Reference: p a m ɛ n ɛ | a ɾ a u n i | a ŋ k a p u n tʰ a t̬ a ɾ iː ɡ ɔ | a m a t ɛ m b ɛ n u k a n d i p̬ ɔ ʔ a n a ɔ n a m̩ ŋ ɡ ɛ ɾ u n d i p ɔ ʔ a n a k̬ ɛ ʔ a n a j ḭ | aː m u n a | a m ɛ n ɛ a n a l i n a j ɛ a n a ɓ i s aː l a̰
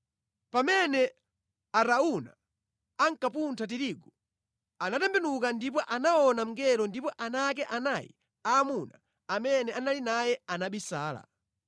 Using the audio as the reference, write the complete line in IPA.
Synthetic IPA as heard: p a m ɛ n ɛ | a ɾ a u n a | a ŋ k a p u n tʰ a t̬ i ɾ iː ɡ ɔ | a n a t ɛ m b ɛ n u k a n d i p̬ ɔ ʔ a n a ɔ n a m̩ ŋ ɡ ɛ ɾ ɔ n d i p ɔ ʔ a n a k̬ ɛ ʔ a n a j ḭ | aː m u n a | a m ɛ n ɛ a n a l i n a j ɛ a n a ɓ i s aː l a̰